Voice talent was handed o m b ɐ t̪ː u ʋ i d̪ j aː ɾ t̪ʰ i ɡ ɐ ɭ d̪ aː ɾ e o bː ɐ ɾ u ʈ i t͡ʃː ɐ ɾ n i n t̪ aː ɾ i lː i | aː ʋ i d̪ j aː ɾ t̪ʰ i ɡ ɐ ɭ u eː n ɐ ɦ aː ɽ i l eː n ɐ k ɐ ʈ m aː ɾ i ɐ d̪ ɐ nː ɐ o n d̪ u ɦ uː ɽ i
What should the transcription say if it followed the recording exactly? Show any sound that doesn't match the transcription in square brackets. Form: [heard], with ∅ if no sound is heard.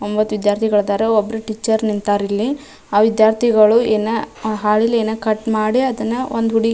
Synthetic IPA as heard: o m b ɐ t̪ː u ʋ i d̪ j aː ɾ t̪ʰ i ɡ ɐ ɭ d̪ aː ɾ e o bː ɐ ɾ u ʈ i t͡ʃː ɐ ɾ n i n t̪ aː ɾ i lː i | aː ʋ i d̪ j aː ɾ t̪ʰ i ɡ ɐ ɭ u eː n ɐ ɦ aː [ɭ] i l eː n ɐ k ɐ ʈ m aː [ɽ] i ɐ d̪ ɐ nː ɐ o n d̪ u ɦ [u] ɽ i